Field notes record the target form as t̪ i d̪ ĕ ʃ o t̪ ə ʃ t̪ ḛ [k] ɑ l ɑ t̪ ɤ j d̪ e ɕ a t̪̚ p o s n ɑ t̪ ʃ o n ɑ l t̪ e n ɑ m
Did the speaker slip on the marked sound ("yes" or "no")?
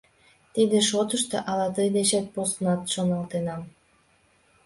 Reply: yes